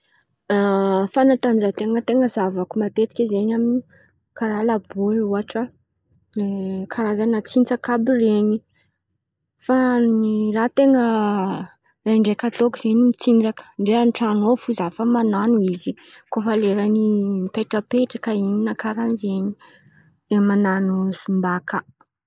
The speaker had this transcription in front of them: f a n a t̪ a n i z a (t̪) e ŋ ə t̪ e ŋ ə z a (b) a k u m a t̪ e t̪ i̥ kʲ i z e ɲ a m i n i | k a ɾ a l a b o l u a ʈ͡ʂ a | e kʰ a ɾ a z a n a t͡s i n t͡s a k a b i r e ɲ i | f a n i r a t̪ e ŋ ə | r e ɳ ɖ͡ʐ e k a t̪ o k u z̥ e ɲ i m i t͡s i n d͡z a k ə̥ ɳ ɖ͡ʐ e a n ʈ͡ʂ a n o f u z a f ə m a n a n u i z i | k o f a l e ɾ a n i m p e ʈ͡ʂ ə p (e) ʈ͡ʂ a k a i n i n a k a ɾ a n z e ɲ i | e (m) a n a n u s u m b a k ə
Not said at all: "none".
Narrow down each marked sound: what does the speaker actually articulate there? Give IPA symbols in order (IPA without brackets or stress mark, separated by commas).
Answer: t̪, v, e, m